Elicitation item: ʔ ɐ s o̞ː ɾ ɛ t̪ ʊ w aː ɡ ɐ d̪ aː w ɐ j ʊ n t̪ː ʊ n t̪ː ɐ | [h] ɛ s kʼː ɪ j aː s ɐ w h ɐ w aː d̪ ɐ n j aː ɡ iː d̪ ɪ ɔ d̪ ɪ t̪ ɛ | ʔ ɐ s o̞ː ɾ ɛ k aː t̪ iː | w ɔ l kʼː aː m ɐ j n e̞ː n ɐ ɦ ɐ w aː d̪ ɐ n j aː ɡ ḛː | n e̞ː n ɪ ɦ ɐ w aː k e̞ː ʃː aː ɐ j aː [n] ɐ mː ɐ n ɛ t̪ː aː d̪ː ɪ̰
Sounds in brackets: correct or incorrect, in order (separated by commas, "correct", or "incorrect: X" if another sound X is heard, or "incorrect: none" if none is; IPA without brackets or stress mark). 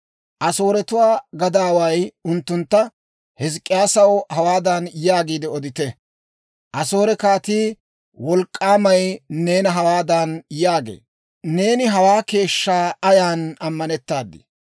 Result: correct, correct